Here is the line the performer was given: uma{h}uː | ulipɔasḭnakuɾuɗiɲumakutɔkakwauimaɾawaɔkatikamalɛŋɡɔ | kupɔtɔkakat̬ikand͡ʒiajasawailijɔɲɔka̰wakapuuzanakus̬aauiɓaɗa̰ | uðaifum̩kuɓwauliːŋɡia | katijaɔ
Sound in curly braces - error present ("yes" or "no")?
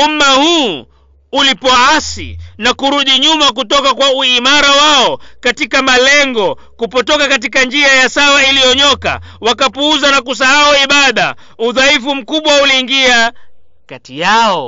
no